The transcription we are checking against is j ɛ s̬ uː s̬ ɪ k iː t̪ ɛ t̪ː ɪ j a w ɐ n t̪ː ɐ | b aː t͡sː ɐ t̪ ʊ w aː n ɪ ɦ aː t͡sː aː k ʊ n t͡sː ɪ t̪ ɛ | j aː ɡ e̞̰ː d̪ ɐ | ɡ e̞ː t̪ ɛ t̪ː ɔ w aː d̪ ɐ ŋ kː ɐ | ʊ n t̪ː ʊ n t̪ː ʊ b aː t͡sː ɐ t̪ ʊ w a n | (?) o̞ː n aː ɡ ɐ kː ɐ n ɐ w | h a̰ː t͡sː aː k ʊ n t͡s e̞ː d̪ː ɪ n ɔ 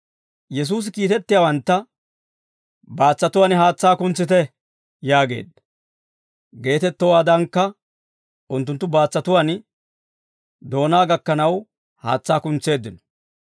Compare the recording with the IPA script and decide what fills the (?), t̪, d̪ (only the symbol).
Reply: d̪